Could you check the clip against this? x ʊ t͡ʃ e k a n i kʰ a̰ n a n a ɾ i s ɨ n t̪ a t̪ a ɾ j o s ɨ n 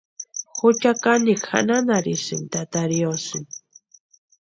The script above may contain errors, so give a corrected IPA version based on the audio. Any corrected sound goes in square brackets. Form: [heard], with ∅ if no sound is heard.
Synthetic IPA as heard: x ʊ t͡ʃ [a] k a n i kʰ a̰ n a n a ɾ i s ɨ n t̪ a t̪ a ɾ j o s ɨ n